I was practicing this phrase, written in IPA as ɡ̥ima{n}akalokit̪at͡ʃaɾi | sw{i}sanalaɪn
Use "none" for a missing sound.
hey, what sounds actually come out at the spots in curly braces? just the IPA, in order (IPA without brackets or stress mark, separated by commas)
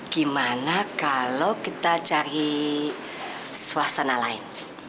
n, a